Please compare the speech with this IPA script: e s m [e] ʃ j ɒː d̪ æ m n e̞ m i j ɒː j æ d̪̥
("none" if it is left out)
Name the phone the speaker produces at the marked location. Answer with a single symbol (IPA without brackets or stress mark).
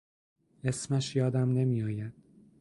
æ